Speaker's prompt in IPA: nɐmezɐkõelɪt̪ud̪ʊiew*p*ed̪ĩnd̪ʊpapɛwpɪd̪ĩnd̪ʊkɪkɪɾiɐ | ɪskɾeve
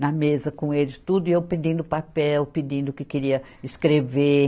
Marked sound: correct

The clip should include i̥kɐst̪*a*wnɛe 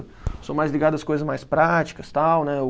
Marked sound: correct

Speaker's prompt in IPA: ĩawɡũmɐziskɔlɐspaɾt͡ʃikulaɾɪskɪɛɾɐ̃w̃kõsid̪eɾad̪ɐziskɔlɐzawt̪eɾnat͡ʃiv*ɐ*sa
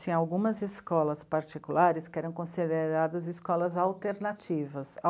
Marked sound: correct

